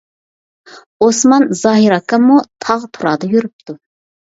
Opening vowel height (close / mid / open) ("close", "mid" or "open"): mid